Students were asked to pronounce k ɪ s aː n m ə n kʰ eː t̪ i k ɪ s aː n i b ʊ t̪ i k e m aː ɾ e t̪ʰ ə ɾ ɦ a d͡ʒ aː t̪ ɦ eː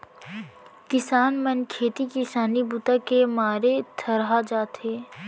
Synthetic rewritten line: k ɪ s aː n m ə n kʰ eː t̪ i k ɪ s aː n i b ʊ t̪ a k e m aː ɾ e t̪ʰ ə ɾ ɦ a d͡ʒ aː t̪ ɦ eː